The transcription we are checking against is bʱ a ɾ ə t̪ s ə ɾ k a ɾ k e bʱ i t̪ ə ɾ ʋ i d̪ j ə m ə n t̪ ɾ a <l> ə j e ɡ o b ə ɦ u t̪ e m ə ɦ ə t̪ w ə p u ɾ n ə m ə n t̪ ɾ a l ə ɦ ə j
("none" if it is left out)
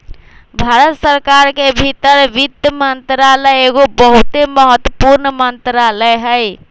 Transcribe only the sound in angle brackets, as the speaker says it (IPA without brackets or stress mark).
l